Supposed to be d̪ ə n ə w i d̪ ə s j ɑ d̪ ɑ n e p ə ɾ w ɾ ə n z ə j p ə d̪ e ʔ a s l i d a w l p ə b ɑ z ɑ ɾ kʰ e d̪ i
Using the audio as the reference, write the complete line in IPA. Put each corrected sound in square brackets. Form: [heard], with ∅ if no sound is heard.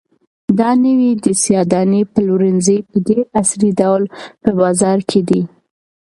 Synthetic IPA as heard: d̪ [ɑ] n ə w i d̪ ə s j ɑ d̪ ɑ n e p ə [l] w ɾ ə n z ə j p ə d̪ e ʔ a s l i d a w l p ə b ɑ z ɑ ɾ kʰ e d̪ i

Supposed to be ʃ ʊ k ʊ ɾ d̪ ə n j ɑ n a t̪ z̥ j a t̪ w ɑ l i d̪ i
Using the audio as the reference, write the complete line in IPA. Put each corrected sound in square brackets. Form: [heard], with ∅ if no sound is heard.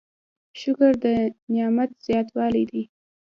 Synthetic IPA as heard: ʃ ʊ k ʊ ɾ d̪ ə n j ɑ [m] a t̪ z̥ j [ɑ] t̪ w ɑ l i d̪ i

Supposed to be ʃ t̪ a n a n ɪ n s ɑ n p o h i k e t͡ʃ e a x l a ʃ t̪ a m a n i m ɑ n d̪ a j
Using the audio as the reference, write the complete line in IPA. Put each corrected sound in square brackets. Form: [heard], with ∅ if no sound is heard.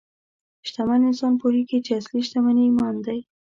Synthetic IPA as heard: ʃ t̪ a [m] a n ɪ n s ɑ n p o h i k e t͡ʃ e a [s] l [i] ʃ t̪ a m a n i m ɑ n d̪ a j

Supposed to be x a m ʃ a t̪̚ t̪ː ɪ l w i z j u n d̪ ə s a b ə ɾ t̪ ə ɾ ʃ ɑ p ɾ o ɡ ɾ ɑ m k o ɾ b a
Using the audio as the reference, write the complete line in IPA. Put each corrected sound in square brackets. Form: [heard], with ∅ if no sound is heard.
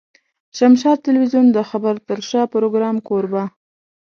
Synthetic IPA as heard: [ʃ] a m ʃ [ɑ] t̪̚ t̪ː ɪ l w i z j u n d̪ ə [x] a b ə ɾ t̪ ə ɾ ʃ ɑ p ɾ o ɡ ɾ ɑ m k o ɾ b a

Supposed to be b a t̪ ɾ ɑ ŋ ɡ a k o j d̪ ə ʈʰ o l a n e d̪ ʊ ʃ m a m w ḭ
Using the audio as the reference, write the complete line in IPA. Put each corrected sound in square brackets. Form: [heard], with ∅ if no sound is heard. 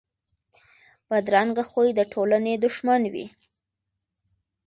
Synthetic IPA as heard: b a [d̪] ɾ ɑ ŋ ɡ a [x] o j d̪ ə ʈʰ o l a n e d̪ ʊ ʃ m a [n] w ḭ

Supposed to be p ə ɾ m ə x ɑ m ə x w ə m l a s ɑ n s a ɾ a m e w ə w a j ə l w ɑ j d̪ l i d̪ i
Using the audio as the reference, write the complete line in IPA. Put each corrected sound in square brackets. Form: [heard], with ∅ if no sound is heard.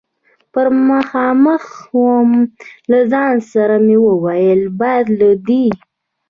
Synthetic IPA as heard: p ə ɾ m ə x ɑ m ə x w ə m l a [z] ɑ n s a ɾ a m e w ə w a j ə l [b] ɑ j d̪ l [a] d̪ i

